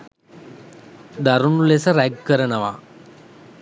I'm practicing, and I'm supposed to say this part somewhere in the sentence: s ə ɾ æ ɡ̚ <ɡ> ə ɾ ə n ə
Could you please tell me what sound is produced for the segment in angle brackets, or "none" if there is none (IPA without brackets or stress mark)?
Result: k